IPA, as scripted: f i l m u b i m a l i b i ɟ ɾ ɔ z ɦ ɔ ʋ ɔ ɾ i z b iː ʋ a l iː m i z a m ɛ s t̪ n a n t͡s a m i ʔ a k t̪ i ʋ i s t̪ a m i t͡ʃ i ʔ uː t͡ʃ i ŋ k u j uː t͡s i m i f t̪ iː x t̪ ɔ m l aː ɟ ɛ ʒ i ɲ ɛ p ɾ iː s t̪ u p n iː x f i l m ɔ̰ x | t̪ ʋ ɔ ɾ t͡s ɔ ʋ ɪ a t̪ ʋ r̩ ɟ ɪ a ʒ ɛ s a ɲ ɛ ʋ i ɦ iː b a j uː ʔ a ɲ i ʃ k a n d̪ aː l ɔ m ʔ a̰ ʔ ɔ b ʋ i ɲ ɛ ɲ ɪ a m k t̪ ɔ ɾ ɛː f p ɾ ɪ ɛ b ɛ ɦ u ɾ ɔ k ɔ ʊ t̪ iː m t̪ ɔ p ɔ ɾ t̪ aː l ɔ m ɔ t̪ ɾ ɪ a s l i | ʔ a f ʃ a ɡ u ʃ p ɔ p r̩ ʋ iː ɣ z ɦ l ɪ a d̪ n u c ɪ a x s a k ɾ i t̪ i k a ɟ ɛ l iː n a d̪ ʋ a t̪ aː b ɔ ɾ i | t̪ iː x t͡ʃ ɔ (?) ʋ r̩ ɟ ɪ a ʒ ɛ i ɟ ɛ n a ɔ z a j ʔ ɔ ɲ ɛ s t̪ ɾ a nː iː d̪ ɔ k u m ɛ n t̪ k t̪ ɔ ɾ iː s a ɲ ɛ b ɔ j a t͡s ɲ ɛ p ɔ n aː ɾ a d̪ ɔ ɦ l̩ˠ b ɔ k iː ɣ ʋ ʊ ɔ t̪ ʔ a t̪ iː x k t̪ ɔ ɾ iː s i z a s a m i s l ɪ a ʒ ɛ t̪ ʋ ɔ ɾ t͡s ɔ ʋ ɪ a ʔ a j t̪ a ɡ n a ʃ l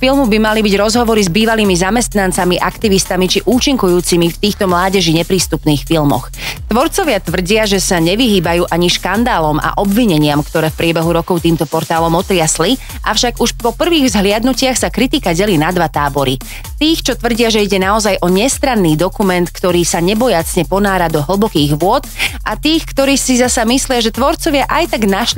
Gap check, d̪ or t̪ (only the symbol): t̪